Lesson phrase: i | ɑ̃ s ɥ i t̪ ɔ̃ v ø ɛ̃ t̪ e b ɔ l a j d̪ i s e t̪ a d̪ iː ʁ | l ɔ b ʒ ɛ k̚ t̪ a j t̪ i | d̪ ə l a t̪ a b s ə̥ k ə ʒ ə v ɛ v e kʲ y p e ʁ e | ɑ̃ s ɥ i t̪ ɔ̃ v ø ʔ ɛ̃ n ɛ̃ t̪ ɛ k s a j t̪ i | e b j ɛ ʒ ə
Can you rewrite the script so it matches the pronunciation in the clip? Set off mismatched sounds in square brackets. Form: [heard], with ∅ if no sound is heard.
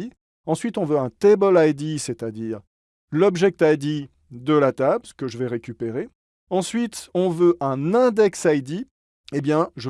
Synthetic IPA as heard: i | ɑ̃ s ɥ i t̪ ɔ̃ v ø ɛ̃ t̪ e b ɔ l a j d̪ i s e t̪ a d̪ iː ʁ | l ɔ b ʒ ɛ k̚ t̪ a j [d̪] i | d̪ ə l a t̪ a b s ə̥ k ə ʒ ə v ɛ [ʁ] e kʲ y p e ʁ e | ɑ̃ s ɥ i t̪ ɔ̃ v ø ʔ ɛ̃ n ɛ̃ [d̪] ɛ k s a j [d̪] i | e b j [ɛ̃] ʒ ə

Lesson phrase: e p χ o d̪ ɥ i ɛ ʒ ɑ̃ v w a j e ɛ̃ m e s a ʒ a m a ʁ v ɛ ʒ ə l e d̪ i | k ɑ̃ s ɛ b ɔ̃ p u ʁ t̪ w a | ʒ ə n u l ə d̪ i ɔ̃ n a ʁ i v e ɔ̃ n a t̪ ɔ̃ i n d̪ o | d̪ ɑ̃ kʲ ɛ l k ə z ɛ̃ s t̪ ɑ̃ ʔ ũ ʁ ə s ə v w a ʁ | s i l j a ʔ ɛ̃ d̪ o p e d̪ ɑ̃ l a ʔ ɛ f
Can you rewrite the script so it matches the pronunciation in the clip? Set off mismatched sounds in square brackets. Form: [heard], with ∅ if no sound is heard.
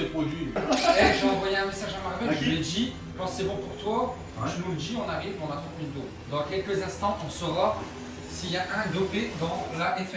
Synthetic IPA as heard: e p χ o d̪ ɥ i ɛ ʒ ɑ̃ v w a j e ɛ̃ m e s a ʒ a m a ʁ v ɛ ʒ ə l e d̪ i | k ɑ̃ s ɛ b ɔ̃ p u ʁ t̪ w a | ʒ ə n u l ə d̪ i ɔ̃ n a ʁ i v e ɔ̃ n a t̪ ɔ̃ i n d̪ o | d̪ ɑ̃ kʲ ɛ l k ə z ɛ̃ s t̪ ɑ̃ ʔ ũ ʁ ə s ə v w a ʁ | s i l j a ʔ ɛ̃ d̪ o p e d̪ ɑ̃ l a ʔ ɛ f

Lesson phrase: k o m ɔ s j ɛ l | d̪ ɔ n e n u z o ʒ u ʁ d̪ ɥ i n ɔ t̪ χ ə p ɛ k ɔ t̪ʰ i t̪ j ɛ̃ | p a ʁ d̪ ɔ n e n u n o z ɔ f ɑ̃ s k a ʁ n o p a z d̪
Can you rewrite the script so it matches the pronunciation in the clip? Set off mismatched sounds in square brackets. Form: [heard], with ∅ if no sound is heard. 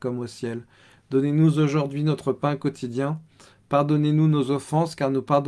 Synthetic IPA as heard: k [ɔ] m [o] s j ɛ l | d̪ ɔ n e n u z o ʒ u ʁ d̪ ɥ i n ɔ t̪ χ ə p [ɛ̃] k ɔ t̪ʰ i [d̪] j ɛ̃ | p a ʁ d̪ ɔ n e n u n o z ɔ f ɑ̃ s k a ʁ n [u] p a [ʁ] d̪

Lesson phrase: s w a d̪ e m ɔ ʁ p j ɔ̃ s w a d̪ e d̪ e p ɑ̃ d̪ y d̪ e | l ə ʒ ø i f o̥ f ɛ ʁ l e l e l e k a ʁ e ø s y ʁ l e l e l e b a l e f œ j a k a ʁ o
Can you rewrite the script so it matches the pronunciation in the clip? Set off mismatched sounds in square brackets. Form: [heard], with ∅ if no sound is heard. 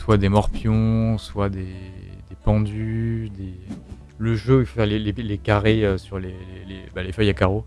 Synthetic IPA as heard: s w a d̪ e m ɔ ʁ p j ɔ̃ s w a d̪ e d̪ e p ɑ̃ d̪ y d̪ e | l ə ʒ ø i f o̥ f ɛ ʁ l e l e l e k a ʁ e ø s y ʁ l e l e l e b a l e f œ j a k a ʁ o

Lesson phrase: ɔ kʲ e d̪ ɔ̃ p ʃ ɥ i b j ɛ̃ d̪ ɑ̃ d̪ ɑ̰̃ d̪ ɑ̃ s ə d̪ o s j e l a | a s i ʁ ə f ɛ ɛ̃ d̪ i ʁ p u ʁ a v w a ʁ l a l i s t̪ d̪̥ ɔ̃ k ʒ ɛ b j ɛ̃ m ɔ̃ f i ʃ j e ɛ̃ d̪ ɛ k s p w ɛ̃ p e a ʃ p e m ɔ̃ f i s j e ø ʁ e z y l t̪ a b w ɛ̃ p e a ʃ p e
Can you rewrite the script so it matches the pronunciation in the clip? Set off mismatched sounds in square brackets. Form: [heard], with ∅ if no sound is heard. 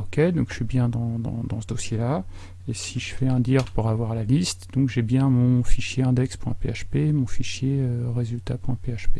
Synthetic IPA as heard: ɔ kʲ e d̪ ɔ̃ [k] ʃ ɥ i b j ɛ̃ d̪ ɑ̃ d̪ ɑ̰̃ d̪ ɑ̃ s ə d̪ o s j e l a | [e] s i [ʒ] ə f ɛ ɛ̃ d̪ i ʁ p u ʁ a v w a ʁ l a l i s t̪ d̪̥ ɔ̃ k ʒ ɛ b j ɛ̃ m ɔ̃ f i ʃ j e ɛ̃ d̪ ɛ k s p w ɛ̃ p e a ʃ p e m ɔ̃ f i [ʃ] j e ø ʁ e z y l t̪ a [p] w ɛ̃ p e a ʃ p e

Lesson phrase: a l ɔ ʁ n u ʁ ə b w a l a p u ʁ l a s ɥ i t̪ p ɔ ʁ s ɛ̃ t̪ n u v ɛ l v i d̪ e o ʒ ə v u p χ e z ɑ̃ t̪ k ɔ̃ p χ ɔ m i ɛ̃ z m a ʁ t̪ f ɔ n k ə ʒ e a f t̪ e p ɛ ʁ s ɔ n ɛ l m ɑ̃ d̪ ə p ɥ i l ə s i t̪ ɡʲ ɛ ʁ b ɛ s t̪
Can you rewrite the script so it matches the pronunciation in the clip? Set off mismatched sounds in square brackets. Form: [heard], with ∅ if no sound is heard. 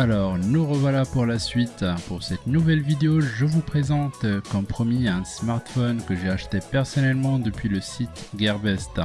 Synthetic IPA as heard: a l ɔ ʁ n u ʁ ə [v] w a l a p u ʁ l a s ɥ i t̪ p [u] ʁ s [ɛ] t̪ n u v ɛ l v i d̪ e o ʒ ə v u p χ e z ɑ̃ t̪ k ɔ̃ p χ ɔ m i ɛ̃ [s] m a ʁ t̪ f ɔ n k ə ʒ e a [ʃ] t̪ e p ɛ ʁ s ɔ n ɛ l m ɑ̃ d̪ ə p ɥ i l ə s i t̪ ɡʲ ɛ ʁ b ɛ s t̪

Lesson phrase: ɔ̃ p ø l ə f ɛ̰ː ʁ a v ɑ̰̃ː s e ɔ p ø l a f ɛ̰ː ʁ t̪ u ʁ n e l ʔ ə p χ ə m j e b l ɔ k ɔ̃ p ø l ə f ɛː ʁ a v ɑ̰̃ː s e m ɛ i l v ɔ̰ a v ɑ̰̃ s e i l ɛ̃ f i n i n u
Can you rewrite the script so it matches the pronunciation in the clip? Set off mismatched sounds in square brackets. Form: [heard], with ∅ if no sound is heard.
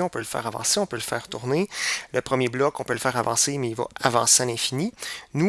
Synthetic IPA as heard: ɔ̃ p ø l ə f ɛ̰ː ʁ a v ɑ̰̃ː s e [ɔ̃] p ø l [ə] f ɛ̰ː ʁ t̪ u ʁ n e l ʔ ə p χ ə m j e b l ɔ k ɔ̃ p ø l ə f ɛː ʁ a v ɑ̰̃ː s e m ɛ i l v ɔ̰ a v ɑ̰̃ s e [a] l ɛ̃ f i n i n u

